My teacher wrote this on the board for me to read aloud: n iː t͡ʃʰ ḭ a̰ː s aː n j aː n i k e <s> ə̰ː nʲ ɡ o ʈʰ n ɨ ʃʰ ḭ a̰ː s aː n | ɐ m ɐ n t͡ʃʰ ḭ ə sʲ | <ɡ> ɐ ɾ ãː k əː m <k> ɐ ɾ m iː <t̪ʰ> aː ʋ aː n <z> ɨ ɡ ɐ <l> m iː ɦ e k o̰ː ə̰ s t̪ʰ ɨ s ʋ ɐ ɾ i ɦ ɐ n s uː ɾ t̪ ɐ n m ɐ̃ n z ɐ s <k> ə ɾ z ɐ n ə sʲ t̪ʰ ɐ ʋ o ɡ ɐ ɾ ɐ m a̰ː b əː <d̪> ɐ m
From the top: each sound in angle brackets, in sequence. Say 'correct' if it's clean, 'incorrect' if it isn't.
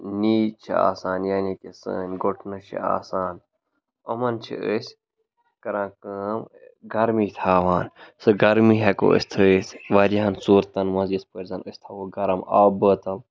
correct, incorrect: k, incorrect: ɡ, correct, incorrect: s, incorrect: ɾ, incorrect: p, incorrect: t̪

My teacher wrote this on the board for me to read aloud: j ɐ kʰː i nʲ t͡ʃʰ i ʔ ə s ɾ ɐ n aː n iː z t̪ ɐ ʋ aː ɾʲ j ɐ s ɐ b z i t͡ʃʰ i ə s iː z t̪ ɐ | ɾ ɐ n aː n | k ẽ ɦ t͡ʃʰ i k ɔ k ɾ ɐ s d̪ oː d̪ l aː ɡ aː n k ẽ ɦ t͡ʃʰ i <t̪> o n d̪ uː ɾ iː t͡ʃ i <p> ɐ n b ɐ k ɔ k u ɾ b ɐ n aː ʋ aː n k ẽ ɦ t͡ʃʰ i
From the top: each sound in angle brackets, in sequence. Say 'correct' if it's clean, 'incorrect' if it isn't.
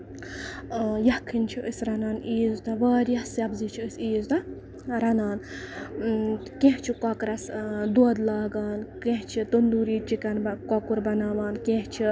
correct, incorrect: k

